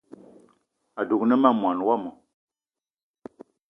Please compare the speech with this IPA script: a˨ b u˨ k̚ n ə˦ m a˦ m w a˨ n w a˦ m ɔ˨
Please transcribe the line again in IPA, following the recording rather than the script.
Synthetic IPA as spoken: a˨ d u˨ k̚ n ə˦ m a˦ m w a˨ n w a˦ m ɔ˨